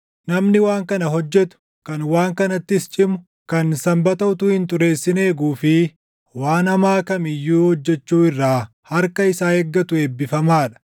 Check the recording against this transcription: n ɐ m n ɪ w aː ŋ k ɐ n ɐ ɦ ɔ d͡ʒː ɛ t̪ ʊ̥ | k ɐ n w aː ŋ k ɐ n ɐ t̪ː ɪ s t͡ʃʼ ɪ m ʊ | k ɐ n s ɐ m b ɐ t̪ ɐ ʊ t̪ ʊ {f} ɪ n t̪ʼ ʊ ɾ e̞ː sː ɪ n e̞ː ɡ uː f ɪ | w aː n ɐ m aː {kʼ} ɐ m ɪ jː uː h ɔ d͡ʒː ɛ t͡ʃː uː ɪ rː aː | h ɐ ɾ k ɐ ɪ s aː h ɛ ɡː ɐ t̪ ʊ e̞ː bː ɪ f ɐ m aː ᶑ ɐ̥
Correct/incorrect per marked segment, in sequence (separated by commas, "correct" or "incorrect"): incorrect, incorrect